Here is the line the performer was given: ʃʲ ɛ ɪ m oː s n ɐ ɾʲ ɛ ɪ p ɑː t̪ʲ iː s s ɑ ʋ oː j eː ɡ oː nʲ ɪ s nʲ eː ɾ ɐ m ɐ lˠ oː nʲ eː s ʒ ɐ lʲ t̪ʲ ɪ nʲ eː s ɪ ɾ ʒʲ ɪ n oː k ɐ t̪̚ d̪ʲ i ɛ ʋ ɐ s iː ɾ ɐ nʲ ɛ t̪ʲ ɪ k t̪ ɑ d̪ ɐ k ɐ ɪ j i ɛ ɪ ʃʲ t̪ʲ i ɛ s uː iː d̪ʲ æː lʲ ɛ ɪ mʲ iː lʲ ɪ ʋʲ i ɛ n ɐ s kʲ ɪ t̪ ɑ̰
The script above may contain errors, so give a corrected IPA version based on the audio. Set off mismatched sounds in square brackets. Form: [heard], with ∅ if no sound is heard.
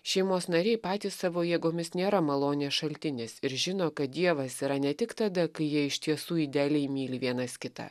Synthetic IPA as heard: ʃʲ ɛ ɪ m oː s n ɐ ɾʲ ɛ ɪ p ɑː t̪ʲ iː s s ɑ ʋ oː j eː ɡ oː [mʲ] ɪ s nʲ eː ɾ ɐ m ɐ lˠ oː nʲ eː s [ʃ] ɐ lʲ t̪ʲ ɪ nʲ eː s ɪ ɾ ʒʲ ɪ n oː k ɐ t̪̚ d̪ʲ i ɛ ʋ ɐ s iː ɾ ɐ nʲ ɛ t̪ʲ ɪ k t̪ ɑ d̪ ɐ k ɐ ɪ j i ɛ ɪ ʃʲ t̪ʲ i ɛ s uː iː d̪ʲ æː lʲ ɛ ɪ mʲ iː lʲ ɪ ʋʲ i ɛ n ɐ s kʲ ɪ t̪ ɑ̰